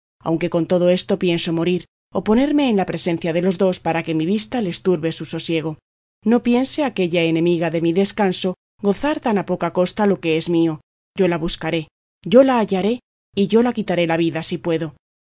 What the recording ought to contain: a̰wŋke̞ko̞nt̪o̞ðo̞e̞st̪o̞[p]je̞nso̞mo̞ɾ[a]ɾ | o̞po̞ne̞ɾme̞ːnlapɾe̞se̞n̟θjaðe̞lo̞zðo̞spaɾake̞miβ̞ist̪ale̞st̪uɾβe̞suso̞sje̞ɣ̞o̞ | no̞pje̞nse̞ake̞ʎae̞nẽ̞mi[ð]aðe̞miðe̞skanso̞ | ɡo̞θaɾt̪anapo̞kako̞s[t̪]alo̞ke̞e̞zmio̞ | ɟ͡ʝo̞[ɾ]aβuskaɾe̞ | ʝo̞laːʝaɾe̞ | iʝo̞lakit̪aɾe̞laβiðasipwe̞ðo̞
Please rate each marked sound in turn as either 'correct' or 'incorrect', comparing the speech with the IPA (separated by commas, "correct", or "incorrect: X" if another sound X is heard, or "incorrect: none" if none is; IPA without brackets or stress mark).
correct, incorrect: i, incorrect: ɣ, correct, incorrect: l